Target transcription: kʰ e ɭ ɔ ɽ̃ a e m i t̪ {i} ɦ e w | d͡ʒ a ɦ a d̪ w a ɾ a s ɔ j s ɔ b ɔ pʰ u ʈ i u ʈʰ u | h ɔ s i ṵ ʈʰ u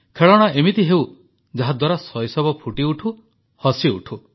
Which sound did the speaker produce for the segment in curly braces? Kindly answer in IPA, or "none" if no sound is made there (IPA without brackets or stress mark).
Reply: i